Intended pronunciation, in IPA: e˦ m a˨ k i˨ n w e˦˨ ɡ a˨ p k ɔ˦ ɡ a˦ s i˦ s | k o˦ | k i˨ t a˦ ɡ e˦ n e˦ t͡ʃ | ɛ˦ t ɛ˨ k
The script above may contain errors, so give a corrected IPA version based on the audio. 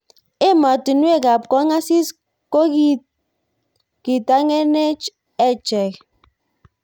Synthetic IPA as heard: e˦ m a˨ t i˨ n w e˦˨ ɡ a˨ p k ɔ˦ ŋ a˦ s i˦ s | k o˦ | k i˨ t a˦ ŋ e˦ n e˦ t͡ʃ | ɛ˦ t͡ʃ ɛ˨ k

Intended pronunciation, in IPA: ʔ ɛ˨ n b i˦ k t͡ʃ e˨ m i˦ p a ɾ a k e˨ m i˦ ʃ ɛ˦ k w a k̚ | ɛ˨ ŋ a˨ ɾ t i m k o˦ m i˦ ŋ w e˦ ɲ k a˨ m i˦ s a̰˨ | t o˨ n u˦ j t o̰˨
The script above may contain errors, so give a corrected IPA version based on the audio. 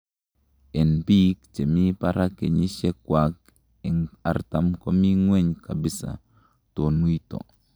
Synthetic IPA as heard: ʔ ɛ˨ n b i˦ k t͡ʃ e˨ m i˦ p a ɾ a k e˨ ɲ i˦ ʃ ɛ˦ k w a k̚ | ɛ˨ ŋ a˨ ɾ t a m k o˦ m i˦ ŋ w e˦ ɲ k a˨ b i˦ s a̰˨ | t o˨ n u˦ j t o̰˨

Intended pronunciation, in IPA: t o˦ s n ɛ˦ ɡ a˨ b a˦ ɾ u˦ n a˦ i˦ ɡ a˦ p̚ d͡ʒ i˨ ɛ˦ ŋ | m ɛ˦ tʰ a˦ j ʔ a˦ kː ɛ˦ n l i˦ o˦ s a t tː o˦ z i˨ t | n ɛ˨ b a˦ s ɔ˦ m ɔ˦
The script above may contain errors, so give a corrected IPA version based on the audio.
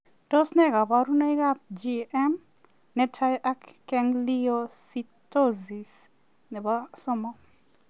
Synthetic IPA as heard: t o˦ s n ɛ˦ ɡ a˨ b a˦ ɾ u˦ n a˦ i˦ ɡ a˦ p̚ d͡ʒ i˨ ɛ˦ m | n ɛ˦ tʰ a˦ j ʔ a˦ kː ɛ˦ ŋ l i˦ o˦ s i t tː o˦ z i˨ s | n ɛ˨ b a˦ s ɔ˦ m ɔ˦

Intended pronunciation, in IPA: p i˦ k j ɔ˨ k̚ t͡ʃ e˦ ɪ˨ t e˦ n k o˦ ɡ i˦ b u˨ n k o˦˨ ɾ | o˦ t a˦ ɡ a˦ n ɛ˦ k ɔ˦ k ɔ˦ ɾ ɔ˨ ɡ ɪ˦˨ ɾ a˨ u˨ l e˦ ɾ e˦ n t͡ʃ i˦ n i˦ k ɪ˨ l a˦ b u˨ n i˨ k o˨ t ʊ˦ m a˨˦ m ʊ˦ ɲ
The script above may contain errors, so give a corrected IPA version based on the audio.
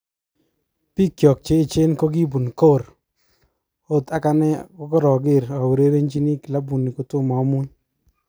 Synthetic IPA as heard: p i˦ k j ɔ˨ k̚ t͡ʃ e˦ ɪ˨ t͡ʃ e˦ n k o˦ ɡ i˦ b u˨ n k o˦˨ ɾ | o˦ t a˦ k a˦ n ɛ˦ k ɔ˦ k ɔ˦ ɾ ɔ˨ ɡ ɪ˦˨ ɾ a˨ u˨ ɾ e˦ ɾ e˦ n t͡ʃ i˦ n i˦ k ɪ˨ l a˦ b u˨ n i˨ k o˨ t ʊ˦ m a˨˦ m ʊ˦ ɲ

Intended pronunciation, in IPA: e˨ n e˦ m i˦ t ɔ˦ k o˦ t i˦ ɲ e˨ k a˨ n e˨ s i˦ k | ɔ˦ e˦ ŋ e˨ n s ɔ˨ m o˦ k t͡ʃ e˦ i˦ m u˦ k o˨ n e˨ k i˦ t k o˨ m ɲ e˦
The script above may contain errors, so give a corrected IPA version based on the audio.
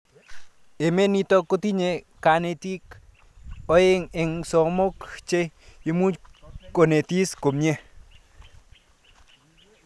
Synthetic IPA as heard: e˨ m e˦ n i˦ t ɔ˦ k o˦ t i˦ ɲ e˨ k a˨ n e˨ t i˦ k | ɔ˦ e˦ ŋ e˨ ŋ s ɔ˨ m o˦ k t͡ʃ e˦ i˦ m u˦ k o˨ n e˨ t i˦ s k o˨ m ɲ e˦

